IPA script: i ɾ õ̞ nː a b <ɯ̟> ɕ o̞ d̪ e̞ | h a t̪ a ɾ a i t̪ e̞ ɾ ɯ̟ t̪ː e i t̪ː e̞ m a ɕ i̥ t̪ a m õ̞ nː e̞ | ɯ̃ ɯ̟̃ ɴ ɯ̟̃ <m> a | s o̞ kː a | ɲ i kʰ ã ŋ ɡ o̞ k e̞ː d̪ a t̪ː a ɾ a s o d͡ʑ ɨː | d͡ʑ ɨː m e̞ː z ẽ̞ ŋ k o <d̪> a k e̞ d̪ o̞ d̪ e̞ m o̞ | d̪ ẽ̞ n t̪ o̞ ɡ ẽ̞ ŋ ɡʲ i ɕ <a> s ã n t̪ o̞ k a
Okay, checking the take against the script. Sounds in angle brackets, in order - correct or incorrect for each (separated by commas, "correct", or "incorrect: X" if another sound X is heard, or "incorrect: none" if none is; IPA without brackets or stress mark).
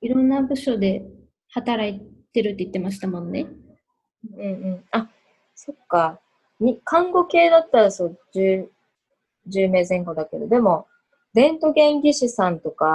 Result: correct, incorrect: ɴ, correct, incorrect: i